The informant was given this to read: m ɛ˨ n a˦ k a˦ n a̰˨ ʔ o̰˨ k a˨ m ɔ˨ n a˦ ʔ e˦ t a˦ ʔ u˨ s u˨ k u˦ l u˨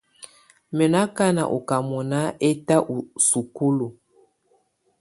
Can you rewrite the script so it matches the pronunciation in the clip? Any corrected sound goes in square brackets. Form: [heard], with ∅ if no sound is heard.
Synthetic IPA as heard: m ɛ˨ n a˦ k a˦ n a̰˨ ʔ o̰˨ k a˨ m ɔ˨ n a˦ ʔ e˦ t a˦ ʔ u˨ s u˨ k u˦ l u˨